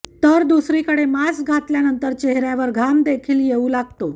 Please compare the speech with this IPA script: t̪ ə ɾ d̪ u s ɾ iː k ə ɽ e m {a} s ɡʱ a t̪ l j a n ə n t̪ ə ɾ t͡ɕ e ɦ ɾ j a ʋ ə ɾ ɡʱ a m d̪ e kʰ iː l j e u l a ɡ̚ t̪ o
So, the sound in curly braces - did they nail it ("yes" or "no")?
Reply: yes